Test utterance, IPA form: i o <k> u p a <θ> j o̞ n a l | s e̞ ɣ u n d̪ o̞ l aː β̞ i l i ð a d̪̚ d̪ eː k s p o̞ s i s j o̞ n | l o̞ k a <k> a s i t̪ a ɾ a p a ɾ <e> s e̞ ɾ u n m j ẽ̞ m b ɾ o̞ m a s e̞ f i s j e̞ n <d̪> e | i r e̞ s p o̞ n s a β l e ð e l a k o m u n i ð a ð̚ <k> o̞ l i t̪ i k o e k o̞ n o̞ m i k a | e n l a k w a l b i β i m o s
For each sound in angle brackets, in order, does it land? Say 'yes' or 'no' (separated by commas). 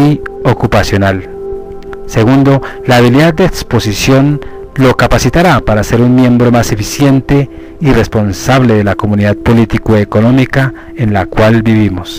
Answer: yes, no, no, no, no, no